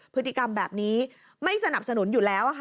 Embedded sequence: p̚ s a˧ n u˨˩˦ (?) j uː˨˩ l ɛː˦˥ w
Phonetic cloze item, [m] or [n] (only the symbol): n